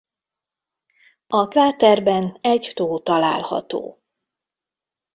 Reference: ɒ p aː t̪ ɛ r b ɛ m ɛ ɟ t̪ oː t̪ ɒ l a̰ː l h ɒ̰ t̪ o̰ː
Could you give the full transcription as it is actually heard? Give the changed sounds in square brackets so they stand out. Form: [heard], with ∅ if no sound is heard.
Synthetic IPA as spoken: ɒ [k] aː t̪ ɛ r b ɛ [n] ɛ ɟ t̪ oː t̪ ɒ l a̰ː l h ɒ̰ t̪ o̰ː